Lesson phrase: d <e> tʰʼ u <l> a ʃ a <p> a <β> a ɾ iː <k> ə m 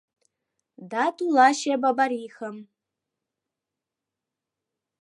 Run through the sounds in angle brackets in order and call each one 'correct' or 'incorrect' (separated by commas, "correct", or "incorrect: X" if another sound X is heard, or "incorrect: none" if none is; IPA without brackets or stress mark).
incorrect: a, correct, incorrect: b, incorrect: b, incorrect: x